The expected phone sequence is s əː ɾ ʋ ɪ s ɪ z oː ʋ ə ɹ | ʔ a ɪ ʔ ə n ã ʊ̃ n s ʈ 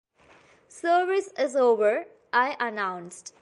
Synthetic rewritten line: s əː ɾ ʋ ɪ s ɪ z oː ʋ ə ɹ | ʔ a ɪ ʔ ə n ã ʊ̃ n s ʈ